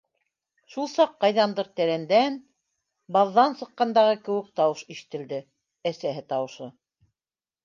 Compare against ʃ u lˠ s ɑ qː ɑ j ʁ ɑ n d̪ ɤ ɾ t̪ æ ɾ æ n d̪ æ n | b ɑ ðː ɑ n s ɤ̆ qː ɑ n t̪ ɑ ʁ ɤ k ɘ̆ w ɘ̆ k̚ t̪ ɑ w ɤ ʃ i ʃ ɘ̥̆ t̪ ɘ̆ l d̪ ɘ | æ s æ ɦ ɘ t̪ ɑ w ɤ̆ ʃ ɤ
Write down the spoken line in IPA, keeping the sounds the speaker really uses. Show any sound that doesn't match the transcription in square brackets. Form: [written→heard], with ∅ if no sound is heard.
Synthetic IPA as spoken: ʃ u lˠ s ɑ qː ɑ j [ʁ→ð] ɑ n d̪ ɤ ɾ t̪ æ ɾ æ n d̪ æ n | b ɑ ðː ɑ n s ɤ̆ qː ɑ n [t̪→d̪] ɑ ʁ ɤ k ɘ̆ w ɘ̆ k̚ t̪ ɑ w ɤ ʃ i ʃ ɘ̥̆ t̪ ɘ̆ l d̪ ɘ | æ s æ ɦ ɘ t̪ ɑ w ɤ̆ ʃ ɤ

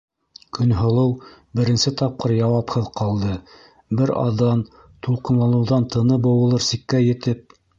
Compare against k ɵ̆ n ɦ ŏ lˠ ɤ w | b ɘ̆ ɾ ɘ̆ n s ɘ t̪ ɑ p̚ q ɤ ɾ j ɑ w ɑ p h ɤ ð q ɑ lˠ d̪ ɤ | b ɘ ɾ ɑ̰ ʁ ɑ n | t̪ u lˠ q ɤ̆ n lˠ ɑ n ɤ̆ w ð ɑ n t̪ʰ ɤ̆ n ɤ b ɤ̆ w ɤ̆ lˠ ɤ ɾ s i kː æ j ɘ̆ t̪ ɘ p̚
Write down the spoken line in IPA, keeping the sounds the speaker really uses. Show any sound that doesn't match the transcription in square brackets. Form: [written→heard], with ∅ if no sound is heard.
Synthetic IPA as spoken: k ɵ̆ n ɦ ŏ lˠ ɤ w | b ɘ̆ ɾ ɘ̆ n s ɘ t̪ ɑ p̚ q ɤ ɾ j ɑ w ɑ p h ɤ ð q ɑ lˠ d̪ ɤ | b ɘ ɾ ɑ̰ [ʁ→ð] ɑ n | t̪ u lˠ q ɤ̆ n lˠ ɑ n ɤ̆ w ð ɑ n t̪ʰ ɤ̆ n ɤ b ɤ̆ w ɤ̆ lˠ ɤ ɾ s i kː æ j ɘ̆ t̪ ɘ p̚

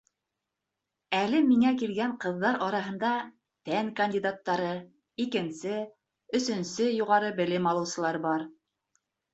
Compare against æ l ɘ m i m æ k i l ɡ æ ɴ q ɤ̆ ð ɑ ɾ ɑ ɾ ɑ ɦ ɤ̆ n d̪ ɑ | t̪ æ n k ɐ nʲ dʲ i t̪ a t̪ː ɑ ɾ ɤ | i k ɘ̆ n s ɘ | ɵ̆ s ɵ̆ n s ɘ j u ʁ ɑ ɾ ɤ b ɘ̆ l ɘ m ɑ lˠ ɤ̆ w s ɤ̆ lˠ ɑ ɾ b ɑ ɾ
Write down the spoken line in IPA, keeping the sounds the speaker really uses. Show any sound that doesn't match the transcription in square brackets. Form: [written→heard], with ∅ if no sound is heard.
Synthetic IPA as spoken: æ l ɘ m i [m→ŋ] æ k i l ɡ æ ɴ q ɤ̆ [ð→ðː] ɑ ɾ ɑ ɾ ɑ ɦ ɤ̆ n d̪ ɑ | t̪ æ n k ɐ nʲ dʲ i [t̪→d̪] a t̪ː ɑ ɾ ɤ | i k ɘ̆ n s ɘ | ɵ̆ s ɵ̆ n s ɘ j u ʁ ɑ ɾ ɤ b ɘ̆ l ɘ m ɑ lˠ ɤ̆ w s ɤ̆ lˠ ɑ ɾ b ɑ ɾ

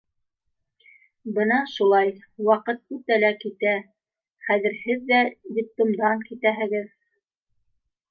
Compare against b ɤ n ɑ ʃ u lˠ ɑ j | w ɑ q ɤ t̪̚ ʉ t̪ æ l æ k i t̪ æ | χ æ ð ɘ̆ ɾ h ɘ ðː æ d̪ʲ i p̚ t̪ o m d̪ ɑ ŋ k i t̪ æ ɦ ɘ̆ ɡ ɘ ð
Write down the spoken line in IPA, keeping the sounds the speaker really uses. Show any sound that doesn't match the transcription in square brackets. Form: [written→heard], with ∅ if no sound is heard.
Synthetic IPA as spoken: b ɤ n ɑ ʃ u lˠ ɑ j | w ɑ q ɤ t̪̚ ʉ t̪ æ l æ k i t̪ æ | χ æ ð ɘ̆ ɾ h ɘ ðː æ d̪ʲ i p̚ t̪ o m d̪ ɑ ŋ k i t̪ æ ɦ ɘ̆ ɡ ɘ ð

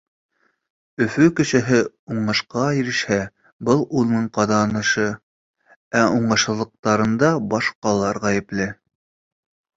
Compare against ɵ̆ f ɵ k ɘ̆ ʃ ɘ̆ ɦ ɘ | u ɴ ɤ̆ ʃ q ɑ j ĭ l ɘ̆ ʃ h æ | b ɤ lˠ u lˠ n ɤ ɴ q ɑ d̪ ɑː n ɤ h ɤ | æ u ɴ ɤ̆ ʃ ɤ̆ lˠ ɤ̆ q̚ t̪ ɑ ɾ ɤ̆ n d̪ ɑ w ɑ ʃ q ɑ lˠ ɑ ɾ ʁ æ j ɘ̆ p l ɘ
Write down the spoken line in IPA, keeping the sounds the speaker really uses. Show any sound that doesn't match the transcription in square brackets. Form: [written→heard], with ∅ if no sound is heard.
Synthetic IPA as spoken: ɵ̆ f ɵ k ɘ̆ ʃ ɘ̆ ɦ ɘ | u ɴ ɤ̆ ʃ q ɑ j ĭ [l→ɾ] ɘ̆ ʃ h æ | b ɤ lˠ u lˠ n ɤ ɴ q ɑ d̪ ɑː n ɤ [h→ʃ] ɤ | æ u ɴ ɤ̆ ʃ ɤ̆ lˠ ɤ̆ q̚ t̪ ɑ ɾ ɤ̆ n d̪ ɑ [w→b] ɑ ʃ q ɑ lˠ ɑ ɾ ʁ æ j ɘ̆ p l ɘ

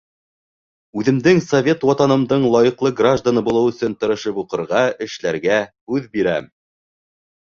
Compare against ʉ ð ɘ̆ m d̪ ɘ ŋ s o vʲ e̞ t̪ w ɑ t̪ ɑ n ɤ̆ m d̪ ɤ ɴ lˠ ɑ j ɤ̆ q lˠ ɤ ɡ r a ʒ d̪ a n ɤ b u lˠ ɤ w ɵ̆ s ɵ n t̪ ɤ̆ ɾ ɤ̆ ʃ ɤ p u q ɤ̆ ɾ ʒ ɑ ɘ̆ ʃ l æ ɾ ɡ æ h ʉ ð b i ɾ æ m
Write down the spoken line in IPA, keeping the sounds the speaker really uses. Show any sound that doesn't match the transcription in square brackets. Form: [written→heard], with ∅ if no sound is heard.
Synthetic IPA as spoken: ʉ ð ɘ̆ m d̪ ɘ ŋ s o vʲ e̞ t̪ w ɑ t̪ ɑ n ɤ̆ m d̪ ɤ ɴ lˠ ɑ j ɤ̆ q lˠ ɤ ɡ r a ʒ d̪ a n ɤ b u lˠ ɤ w ɵ̆ s ɵ n t̪ ɤ̆ ɾ ɤ̆ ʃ ɤ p u q ɤ̆ ɾ [ʒ→ʁ] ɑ ɘ̆ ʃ l æ ɾ ɡ æ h ʉ ð b i ɾ æ m

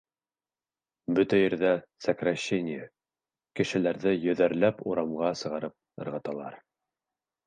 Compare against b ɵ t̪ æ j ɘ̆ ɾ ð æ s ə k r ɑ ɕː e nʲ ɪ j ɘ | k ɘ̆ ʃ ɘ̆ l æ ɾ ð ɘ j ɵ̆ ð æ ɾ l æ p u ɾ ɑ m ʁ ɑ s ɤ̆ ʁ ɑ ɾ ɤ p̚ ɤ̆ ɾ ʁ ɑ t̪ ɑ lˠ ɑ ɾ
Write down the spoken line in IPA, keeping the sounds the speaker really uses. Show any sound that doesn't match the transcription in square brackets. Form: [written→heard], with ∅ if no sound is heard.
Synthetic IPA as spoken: b ɵ t̪ æ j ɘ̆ ɾ ð æ s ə k r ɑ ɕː e nʲ ɪ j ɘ | k ɘ̆ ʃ ɘ̆ l æ ɾ ð ɘ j ɵ̆ ð æ ɾ l æ p u ɾ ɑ m ʁ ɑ s ɤ̆ ʁ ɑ ɾ ɤ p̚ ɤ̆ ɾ ʁ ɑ t̪ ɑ lˠ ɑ ɾ

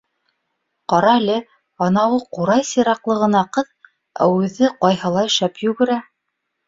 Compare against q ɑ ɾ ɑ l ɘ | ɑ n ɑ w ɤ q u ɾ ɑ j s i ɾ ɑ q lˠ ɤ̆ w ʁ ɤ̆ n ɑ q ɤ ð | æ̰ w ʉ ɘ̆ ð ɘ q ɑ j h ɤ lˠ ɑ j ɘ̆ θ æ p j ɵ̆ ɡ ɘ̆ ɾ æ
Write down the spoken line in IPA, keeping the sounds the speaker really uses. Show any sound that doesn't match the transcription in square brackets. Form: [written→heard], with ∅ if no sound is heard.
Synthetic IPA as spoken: q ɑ ɾ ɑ l ɘ | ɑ n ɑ w ɤ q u ɾ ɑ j s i ɾ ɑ q lˠ ɤ̆ [w→∅] ʁ ɤ̆ n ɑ q ɤ ð | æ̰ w ʉ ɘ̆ ð ɘ q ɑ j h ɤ lˠ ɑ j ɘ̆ [θ→ʃ] æ p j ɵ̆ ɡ ɘ̆ ɾ æ

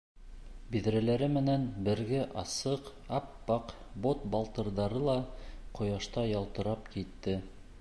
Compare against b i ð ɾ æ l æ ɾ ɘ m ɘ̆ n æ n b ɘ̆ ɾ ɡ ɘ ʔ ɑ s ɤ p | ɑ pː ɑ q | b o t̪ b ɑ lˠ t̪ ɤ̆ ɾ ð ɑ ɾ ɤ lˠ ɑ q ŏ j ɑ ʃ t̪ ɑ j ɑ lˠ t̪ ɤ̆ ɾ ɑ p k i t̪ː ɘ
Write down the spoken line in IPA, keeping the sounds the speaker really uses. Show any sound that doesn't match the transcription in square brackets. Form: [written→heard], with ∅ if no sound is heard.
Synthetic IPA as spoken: b i ð ɾ æ l æ ɾ ɘ m ɘ̆ n æ n b ɘ̆ ɾ ɡ ɘ ʔ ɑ s ɤ [p→q] | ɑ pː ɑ q | b o t̪ b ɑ lˠ t̪ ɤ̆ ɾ ð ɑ ɾ ɤ lˠ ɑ q ŏ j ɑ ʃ t̪ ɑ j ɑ lˠ t̪ ɤ̆ ɾ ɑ p k i t̪ː ɘ

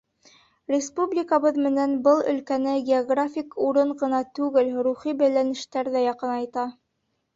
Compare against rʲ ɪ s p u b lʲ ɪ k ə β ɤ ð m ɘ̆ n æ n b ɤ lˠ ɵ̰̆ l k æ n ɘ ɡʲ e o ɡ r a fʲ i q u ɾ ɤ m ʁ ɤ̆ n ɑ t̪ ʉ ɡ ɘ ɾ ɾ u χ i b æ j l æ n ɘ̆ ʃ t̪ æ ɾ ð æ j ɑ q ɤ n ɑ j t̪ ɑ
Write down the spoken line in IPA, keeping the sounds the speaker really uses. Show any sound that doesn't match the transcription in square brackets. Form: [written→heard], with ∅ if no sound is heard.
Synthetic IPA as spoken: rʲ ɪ s p u b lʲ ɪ k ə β ɤ ð m ɘ̆ n æ n b ɤ lˠ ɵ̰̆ l k æ n ɘ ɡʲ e o ɡ r a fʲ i [q→k] u ɾ ɤ [m→ɴ] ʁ ɤ̆ n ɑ t̪ ʉ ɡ ɘ [ɾ→l] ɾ u χ i b æ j l æ n ɘ̆ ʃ t̪ æ ɾ ð æ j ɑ q ɤ n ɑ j t̪ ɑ

